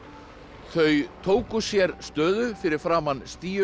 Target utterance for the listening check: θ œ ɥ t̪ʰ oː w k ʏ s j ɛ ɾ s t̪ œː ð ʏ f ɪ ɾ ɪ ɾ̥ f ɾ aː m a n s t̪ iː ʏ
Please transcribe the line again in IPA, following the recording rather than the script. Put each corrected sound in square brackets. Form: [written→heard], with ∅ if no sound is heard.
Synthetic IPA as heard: θ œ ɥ t̪ʰ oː w k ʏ s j ɛ ɾ s t̪ œː ð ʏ f ɪ ɾ ɪ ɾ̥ f ɾ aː m a n s t̪ iː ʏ

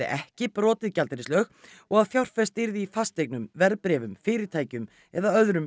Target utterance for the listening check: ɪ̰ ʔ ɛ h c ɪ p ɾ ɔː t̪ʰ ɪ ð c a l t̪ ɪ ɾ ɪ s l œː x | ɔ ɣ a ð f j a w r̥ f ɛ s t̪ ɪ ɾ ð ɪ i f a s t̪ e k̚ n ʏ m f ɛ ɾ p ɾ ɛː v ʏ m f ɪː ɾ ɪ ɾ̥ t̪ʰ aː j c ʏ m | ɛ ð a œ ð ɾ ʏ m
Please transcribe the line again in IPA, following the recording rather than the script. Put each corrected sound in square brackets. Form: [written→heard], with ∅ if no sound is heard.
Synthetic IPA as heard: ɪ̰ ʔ ɛ h c ɪ p ɾ ɔː [t̪ʰ→t̪] ɪ ð c a l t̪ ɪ ɾ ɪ s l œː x | ɔ ɣ a ð f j a w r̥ f ɛ s t̪ ɪ ɾ ð ɪ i f a s t̪ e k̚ n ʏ m [f→v] ɛ ɾ p ɾ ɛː v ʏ m f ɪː ɾ ɪ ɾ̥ t̪ʰ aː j c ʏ m | ɛ ð a œ ð ɾ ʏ m

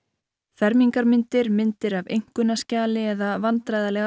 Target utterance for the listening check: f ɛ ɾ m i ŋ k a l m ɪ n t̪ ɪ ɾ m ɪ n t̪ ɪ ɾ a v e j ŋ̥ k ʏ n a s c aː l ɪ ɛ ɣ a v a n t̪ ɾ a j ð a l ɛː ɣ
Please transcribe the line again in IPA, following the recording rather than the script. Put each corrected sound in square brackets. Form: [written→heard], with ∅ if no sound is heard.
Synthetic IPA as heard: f ɛ ɾ m i ŋ k a [l→ɾ] m ɪ n t̪ ɪ ɾ m ɪ n t̪ ɪ ɾ a v e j ŋ̥ k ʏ n a s c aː l ɪ ɛ [ɣ→ð] a v a n t̪ ɾ a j ð a l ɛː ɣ

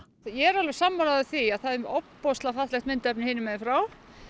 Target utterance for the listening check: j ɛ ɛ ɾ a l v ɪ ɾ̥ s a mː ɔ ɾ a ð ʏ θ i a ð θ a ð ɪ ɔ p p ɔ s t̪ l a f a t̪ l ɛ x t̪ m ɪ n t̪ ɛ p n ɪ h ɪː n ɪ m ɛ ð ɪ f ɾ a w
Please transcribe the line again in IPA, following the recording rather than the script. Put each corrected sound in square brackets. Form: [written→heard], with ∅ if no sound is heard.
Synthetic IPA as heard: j ɛ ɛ ɾ a l v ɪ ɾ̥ s a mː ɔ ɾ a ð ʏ θ i a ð θ a ð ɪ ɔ p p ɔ s t̪ l a f a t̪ l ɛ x t̪ m ɪ n t̪ ɛ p n ɪ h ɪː n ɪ m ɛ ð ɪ f ɾ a w

